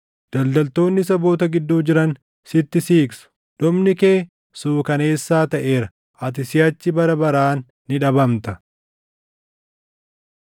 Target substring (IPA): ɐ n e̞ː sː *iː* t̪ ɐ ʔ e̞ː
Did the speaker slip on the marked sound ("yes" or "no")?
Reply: yes